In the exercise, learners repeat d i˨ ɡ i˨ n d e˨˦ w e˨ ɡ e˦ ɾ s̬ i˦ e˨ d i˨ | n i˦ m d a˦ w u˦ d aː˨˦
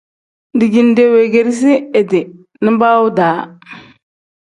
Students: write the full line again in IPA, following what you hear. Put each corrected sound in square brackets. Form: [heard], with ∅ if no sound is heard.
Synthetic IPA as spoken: d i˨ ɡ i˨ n d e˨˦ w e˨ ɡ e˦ ɾ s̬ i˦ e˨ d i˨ | n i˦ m [b] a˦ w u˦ d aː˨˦